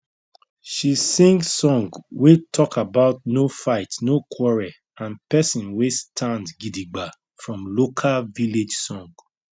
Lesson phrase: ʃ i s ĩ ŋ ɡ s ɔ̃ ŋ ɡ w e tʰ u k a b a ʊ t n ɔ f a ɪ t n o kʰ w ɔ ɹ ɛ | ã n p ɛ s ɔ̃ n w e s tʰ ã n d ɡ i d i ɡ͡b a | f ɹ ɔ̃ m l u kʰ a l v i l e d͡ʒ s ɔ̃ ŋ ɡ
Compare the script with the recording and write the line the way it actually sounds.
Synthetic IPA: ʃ i s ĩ ŋ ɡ s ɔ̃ ŋ ɡ w e tʰ ɔ k a b a ʊ t n o f a ɪ t n o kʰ w ɔ ɹ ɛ | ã n p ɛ s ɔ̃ n w e s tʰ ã n d ɡ i d i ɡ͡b a | f ɹ ɔ̃ m l o kʰ a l v i l e d͡ʒ s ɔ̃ ŋ ɡ